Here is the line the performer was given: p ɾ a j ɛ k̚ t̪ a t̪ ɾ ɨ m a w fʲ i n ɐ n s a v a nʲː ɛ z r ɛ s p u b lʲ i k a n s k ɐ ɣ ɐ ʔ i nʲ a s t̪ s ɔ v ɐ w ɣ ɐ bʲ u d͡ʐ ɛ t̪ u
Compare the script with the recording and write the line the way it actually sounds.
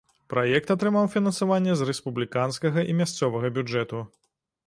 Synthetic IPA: p ɾ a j ɛ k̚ t̪ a t̪ ɾ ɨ m a w fʲ i n ɐ n s a v a nʲː ɛ z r ɛ s p u b lʲ i k a n s k ɐ ɣ ɐ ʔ i mʲ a s t̪ s ɔ v ɐ ɣ ɐ bʲ u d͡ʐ ɛ t̪ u